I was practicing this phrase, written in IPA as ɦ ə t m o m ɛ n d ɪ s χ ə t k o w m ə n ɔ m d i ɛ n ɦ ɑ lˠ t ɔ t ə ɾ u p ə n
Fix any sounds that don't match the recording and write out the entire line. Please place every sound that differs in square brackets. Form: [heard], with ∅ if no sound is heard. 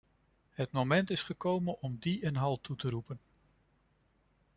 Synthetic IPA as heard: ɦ ə t m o m ɛ n [t] ɪ s χ ə [∅] k o w m ə n ɔ m d i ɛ n ɦ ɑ lˠ t [u] t ə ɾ u p ə n